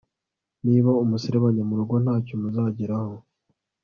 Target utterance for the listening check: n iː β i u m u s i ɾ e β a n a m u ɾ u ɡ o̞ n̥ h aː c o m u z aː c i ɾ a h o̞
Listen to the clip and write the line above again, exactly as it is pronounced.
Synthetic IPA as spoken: n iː β a u m u s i ɾ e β a ɲ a m u ɾ u ɡ o̞ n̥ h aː c o m u z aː ɟ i ɾ a h o̞